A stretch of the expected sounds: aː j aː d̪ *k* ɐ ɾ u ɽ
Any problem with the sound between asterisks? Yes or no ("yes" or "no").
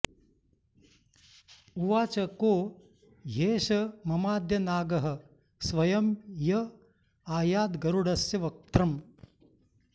yes